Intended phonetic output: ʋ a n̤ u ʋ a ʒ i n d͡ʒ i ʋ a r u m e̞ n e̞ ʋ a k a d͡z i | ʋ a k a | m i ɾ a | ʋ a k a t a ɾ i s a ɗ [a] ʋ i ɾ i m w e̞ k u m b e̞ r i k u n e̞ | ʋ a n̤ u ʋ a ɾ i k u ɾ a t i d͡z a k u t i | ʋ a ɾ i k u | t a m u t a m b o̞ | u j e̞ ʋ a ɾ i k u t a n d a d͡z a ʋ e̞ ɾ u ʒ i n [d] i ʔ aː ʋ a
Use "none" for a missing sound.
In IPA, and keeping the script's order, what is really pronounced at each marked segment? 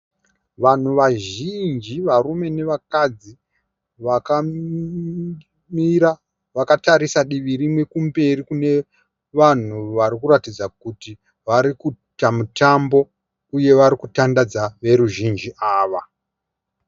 i, d͡ʒ

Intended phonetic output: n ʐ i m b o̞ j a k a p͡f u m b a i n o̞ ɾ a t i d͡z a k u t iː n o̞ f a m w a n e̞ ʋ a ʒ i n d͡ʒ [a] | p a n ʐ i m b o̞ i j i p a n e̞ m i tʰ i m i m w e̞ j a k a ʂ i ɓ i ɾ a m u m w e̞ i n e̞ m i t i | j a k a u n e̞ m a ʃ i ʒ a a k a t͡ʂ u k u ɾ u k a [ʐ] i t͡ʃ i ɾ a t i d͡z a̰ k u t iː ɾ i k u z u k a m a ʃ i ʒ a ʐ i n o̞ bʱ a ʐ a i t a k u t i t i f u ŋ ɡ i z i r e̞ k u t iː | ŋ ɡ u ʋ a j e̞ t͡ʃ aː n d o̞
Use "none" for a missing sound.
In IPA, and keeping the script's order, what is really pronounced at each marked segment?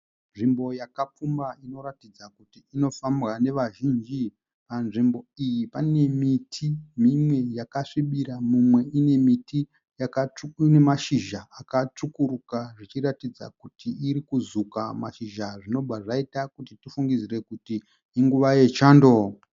i, ʐ

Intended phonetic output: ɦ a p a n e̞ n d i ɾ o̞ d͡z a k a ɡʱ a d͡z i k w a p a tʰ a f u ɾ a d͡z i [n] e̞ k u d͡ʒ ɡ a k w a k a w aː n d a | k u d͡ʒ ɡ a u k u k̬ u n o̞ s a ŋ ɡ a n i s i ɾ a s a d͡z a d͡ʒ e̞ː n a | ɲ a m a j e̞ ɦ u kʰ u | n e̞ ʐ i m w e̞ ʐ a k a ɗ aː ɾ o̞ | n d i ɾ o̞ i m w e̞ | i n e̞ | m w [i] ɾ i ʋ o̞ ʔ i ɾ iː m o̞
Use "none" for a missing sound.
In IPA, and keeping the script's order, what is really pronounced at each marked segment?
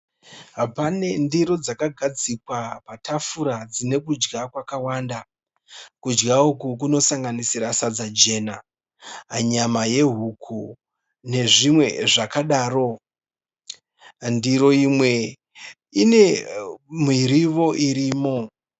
n, i

